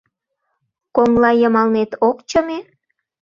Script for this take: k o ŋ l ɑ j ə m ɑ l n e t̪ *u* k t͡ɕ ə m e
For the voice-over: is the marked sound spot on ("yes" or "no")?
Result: no